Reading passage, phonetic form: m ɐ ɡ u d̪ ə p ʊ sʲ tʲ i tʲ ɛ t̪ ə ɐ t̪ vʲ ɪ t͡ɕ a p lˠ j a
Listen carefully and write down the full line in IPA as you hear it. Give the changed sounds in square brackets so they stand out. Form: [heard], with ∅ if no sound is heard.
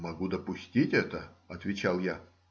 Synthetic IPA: m ɐ ɡ u d̪ ə p ʊ sʲ tʲ i tʲ ɛ t̪ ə ɐ t̪ vʲ ɪ t͡ɕ a [∅] lˠ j a